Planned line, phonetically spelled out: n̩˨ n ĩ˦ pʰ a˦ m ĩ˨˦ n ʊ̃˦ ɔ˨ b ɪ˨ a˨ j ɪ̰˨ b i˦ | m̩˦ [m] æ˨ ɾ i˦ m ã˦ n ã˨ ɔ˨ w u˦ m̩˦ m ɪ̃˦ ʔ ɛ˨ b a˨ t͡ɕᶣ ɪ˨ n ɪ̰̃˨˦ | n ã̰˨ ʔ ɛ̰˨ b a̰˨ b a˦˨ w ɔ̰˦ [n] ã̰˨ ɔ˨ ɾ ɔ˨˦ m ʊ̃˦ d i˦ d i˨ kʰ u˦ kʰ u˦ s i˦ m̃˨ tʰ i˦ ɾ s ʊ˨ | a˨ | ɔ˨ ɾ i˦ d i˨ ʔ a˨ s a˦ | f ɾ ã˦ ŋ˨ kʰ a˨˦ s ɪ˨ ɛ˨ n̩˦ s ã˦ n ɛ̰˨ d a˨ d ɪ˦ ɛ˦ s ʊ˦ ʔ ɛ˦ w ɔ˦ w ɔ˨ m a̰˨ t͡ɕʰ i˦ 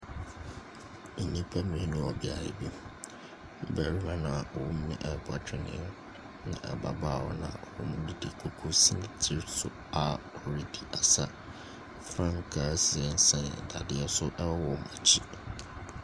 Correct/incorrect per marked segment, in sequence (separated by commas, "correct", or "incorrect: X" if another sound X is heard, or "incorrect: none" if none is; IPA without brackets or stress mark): incorrect: b, correct